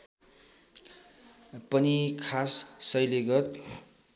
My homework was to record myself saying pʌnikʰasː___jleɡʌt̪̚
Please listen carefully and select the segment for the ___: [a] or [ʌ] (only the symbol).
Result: ʌ